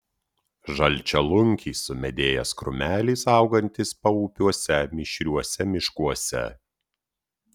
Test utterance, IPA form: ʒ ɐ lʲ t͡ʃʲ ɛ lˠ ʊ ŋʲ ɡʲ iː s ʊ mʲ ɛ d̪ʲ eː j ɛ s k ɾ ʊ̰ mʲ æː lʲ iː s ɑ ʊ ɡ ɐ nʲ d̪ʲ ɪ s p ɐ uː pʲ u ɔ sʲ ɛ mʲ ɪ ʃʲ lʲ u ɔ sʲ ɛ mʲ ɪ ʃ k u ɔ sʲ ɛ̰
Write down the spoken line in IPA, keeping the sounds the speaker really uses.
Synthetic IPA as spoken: ʒ ɐ lʲ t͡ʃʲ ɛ lˠ ʊ ŋʲ kʲ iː s ʊ mʲ ɛ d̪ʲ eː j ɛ s k ɾ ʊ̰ mʲ æː lʲ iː s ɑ ʊ ɡ ɐ nʲ t̪ʲ ɪ s p ɐ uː pʲ u ɔ sʲ ɛ mʲ ɪ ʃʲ ɾʲ u ɔ sʲ ɛ mʲ ɪ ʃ k u ɔ sʲ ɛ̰